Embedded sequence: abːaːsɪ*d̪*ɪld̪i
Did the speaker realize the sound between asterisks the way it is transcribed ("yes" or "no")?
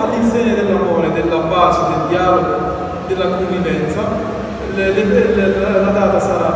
yes